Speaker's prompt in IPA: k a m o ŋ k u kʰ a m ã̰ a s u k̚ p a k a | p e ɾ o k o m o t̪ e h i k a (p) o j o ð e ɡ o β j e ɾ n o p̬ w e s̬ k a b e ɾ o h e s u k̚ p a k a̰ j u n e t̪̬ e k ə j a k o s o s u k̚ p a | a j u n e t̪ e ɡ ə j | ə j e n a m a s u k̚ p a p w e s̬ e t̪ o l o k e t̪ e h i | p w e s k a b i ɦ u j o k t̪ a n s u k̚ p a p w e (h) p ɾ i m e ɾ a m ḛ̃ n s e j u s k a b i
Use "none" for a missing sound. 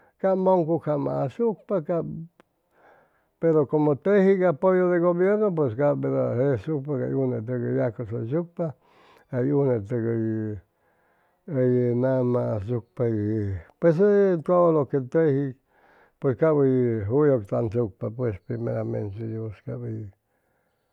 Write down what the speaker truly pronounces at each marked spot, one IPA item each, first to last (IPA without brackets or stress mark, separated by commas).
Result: p, s